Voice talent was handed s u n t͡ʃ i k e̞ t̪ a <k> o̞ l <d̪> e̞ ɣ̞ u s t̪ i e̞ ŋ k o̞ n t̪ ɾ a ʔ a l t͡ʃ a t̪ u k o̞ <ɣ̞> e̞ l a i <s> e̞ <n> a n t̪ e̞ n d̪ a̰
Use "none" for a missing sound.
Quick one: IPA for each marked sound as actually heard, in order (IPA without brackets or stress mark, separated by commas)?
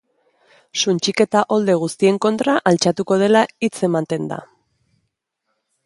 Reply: ʔ, d̪, ð̞, t͡s, m